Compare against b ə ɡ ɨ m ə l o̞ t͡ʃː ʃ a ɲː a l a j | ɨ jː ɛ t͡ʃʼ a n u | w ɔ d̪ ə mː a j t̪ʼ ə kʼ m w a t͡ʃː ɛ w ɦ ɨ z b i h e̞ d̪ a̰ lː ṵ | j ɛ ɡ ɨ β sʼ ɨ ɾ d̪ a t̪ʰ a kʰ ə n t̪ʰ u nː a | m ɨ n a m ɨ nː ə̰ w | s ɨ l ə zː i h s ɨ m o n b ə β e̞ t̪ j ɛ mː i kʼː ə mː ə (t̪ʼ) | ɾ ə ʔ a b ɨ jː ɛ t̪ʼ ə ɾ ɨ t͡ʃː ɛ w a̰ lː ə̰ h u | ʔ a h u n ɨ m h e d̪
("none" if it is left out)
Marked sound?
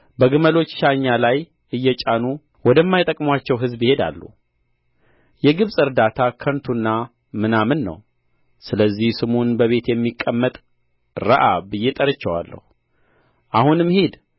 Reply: t̪ʼ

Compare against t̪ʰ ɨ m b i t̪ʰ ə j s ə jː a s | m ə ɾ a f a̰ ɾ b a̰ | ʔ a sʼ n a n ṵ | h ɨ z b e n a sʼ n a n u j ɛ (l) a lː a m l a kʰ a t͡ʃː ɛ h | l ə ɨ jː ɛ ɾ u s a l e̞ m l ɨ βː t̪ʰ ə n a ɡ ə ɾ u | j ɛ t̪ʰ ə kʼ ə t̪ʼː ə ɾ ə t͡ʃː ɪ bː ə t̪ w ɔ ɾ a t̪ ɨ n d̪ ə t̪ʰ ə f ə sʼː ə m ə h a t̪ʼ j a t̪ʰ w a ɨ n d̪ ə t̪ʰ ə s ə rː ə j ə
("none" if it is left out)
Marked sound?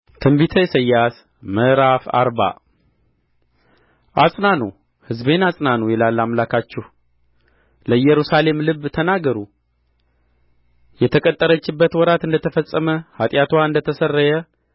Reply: l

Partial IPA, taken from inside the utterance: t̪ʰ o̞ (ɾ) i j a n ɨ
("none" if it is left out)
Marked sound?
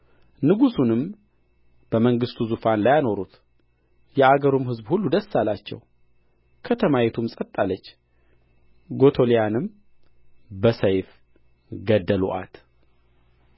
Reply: l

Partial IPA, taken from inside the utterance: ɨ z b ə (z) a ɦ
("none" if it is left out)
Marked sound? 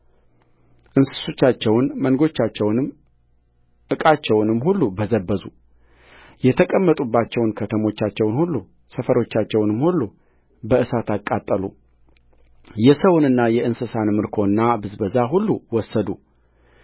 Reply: z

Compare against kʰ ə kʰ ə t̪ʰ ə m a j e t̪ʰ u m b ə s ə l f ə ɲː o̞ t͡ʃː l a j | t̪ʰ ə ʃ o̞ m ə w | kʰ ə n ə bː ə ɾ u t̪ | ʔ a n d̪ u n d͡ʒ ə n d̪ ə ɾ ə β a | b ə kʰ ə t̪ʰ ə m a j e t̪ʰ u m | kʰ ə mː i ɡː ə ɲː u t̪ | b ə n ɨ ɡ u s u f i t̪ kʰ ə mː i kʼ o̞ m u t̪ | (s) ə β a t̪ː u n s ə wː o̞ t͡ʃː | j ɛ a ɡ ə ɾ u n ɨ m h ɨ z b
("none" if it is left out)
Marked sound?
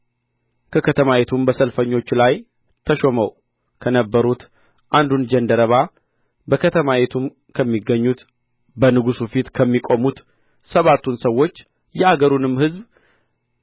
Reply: s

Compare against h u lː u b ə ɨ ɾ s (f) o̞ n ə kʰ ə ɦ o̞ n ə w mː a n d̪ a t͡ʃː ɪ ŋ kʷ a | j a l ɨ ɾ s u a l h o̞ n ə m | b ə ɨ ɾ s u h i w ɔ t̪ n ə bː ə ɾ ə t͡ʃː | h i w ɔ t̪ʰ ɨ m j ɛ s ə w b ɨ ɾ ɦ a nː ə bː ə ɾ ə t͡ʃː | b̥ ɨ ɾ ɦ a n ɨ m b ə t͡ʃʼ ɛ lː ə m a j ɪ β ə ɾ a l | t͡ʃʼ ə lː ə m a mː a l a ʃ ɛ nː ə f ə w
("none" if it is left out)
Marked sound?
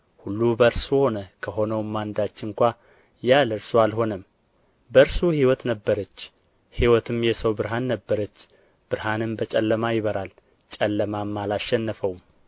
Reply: h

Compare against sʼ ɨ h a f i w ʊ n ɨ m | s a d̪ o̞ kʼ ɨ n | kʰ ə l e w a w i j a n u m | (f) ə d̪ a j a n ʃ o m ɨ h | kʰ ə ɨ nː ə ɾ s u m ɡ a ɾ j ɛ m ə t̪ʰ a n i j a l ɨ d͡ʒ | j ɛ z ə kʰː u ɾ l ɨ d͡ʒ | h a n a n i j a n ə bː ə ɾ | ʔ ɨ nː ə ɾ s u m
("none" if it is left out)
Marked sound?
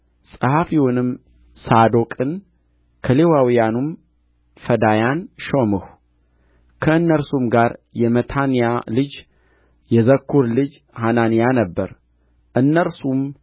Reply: f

